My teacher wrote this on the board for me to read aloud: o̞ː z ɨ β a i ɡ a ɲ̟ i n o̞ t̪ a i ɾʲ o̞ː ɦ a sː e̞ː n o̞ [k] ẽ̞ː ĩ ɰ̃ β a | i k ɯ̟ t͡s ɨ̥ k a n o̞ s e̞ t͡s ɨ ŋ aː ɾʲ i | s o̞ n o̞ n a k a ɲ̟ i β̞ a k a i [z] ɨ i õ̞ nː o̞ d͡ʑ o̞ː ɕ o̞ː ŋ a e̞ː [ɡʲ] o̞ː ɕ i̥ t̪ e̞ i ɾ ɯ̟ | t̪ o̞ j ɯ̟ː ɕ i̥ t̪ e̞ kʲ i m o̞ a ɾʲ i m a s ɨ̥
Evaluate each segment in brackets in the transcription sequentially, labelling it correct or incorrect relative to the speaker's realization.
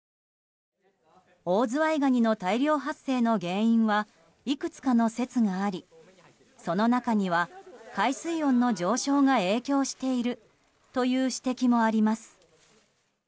incorrect: ɡ, incorrect: s, incorrect: kʲ

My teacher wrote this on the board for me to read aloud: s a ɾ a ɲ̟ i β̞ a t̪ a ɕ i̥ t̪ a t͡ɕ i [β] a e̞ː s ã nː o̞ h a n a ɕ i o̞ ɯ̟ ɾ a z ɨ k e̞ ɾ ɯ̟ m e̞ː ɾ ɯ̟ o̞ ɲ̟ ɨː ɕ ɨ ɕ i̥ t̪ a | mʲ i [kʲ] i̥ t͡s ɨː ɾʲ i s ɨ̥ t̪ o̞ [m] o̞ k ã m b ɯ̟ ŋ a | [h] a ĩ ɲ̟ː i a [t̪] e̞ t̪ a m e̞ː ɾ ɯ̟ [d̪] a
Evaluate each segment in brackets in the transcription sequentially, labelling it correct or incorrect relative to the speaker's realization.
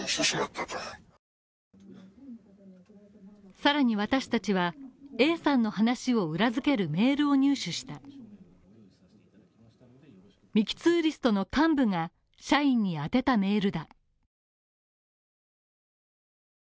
correct, correct, incorrect: n, incorrect: ɕ, correct, correct

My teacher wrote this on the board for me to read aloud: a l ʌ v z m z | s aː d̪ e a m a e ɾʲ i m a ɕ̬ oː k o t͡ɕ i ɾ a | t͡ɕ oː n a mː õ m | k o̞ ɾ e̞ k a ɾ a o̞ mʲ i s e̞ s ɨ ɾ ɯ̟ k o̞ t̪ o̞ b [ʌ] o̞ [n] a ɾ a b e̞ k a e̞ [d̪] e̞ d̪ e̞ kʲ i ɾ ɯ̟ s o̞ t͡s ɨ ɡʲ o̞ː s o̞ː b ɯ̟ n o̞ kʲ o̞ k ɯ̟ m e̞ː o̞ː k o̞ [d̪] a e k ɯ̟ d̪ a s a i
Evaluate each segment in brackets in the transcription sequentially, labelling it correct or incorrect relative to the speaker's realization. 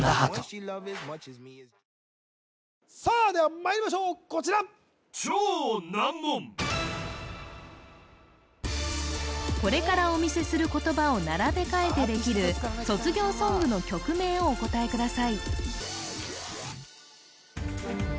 incorrect: a, correct, incorrect: t̪, incorrect: t̪

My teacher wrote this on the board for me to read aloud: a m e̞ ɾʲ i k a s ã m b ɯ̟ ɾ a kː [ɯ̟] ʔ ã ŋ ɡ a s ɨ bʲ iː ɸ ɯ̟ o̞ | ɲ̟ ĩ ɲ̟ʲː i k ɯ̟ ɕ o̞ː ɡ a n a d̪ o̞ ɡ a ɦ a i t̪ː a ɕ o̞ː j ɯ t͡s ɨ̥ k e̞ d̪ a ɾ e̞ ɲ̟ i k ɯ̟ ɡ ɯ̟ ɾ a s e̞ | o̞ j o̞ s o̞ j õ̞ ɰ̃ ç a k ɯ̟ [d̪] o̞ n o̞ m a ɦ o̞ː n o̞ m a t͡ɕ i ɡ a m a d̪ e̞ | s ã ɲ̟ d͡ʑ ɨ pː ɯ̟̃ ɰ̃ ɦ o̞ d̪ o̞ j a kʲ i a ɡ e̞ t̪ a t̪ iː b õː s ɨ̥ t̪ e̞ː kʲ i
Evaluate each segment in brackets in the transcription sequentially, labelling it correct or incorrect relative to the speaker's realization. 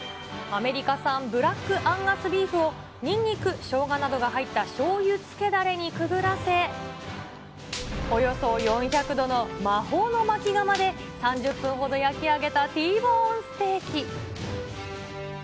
correct, correct

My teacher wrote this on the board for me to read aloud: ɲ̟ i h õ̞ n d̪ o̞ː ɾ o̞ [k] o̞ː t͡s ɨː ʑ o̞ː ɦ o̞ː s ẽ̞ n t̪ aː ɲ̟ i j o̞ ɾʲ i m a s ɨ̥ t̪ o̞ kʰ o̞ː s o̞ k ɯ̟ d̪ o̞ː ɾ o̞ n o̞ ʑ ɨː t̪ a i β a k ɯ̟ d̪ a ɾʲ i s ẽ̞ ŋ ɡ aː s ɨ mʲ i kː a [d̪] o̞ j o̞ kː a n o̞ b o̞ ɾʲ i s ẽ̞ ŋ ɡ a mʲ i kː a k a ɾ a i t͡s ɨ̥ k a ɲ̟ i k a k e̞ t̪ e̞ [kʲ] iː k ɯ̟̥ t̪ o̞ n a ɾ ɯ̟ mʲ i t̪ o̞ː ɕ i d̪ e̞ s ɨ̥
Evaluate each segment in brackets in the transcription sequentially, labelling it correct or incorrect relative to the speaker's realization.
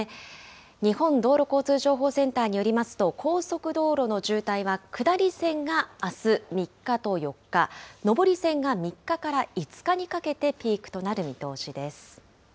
correct, incorrect: t̪, incorrect: pʲ

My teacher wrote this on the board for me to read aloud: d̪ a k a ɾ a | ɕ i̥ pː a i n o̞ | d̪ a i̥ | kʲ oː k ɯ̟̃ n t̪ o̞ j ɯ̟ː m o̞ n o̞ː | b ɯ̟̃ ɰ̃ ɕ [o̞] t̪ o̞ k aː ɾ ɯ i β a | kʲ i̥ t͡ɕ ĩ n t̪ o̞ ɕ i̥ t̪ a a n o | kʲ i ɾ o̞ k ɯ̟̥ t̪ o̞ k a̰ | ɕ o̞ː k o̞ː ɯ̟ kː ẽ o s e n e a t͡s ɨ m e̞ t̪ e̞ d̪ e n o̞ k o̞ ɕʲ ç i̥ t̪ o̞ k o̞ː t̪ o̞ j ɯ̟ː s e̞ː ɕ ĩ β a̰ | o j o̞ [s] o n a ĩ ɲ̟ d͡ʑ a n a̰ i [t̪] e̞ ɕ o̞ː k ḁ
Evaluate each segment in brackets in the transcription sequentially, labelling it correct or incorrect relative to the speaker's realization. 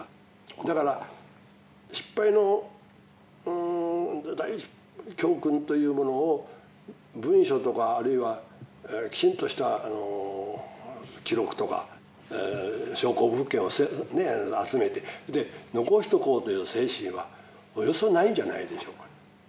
correct, correct, incorrect: d̪

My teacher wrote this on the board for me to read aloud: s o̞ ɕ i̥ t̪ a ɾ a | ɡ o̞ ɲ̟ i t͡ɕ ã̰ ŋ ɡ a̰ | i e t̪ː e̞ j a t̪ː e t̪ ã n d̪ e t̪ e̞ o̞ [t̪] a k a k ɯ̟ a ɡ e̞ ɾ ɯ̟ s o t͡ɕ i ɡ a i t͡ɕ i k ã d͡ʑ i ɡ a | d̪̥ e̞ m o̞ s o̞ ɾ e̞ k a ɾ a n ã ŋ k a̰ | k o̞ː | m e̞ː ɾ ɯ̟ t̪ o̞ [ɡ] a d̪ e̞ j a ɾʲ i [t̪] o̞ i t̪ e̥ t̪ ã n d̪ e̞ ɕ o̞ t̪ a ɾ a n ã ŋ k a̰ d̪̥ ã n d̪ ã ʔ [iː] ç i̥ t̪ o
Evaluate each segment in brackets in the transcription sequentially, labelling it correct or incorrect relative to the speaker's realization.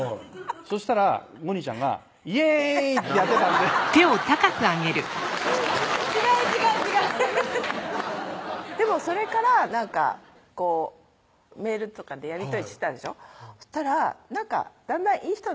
correct, incorrect: k, correct, correct

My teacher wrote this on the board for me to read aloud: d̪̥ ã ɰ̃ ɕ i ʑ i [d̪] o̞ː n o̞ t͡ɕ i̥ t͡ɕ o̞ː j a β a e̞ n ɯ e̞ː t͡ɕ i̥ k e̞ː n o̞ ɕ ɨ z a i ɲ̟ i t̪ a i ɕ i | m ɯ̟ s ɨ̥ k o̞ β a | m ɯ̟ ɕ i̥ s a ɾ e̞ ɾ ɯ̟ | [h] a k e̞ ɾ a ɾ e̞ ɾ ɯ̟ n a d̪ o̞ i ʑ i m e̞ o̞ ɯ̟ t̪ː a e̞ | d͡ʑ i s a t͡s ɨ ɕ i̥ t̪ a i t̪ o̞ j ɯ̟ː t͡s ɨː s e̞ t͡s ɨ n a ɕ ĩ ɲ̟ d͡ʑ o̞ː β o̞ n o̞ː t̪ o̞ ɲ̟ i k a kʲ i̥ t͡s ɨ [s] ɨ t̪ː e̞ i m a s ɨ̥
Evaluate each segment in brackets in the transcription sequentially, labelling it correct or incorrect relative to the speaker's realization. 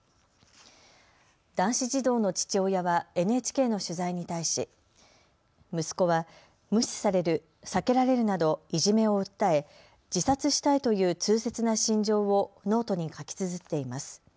correct, incorrect: s, incorrect: z

